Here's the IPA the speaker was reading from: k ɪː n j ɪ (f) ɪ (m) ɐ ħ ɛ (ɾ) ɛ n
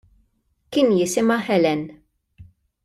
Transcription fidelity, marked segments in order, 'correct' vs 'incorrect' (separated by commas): incorrect, correct, incorrect